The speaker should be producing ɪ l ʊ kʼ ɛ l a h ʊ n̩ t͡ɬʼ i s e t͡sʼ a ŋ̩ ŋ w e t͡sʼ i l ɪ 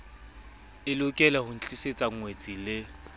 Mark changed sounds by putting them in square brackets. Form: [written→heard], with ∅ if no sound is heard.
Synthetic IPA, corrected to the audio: ɪ l ʊ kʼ ɛ l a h ʊ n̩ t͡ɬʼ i s e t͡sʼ a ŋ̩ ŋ w e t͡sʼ i l ɪ